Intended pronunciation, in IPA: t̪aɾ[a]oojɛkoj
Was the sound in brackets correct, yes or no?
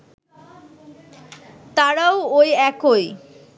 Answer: yes